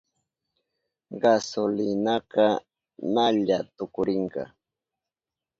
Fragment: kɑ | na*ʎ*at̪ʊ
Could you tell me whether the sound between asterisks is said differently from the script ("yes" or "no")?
no